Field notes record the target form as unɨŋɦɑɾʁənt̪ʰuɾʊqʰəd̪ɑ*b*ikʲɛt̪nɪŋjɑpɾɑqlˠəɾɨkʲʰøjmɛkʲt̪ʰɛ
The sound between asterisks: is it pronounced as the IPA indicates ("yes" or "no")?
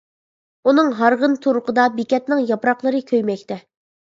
yes